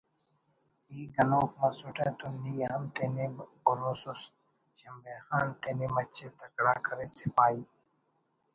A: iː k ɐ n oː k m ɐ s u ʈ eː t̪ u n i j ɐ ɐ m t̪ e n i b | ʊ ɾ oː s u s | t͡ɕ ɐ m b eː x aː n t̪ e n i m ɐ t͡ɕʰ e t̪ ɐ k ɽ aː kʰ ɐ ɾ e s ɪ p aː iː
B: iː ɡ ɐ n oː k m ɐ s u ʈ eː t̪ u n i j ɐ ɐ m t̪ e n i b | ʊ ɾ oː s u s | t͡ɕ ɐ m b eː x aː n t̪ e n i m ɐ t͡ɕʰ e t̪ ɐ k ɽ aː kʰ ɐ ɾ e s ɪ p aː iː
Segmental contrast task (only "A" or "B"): B